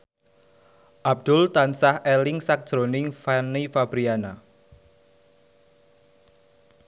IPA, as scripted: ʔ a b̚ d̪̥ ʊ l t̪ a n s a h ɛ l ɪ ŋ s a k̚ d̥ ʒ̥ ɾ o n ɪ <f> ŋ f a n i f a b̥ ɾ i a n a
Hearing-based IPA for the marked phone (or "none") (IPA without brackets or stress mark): none